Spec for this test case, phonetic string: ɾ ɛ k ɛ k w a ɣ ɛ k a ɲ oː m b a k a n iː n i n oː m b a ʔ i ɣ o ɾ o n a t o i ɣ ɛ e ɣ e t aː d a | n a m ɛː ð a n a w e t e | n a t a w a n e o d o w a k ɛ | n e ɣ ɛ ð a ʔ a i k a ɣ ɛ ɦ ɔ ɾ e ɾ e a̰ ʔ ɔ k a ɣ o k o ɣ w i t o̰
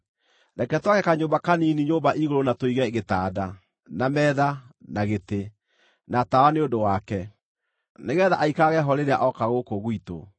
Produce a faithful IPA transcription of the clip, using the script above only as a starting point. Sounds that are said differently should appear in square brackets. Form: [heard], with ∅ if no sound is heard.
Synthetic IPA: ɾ ɛ k ɛ [t] w a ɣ ɛ k a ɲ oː m b a k a n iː n i [ɲ] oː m b a ʔ i ɣ o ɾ o n a t o i ɣ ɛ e ɣ e t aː d a | n a m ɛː ð a n a [ɣ] e t e | n a t a w a n e o d o w a k ɛ | n e ɣ ɛ ð a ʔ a i k a ɣ ɛ ɦ ɔ ɾ e ɾ e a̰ ʔ ɔ k a ɣ o k o ɣ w i t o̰